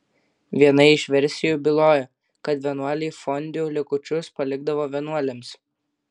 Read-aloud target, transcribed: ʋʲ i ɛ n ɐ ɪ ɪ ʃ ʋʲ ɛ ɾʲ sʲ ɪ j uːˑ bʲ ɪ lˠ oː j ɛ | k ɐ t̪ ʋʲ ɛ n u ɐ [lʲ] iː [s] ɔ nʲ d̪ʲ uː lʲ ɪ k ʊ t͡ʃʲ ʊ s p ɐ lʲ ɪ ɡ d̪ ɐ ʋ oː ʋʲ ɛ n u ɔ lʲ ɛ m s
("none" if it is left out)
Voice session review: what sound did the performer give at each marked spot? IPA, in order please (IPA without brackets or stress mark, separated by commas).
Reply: lʲ, f